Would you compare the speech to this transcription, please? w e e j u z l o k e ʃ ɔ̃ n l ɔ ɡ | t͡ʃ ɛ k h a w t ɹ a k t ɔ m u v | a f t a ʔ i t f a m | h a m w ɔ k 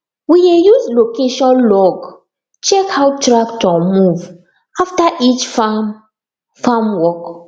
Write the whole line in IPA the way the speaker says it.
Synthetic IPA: w i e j u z l o k e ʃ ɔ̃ n l ɔ ɡ | t͡ʃ ɛ k h a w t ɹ a k t ɔ m u v | a f t a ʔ i t͡ʃ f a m | f a m w ɔ k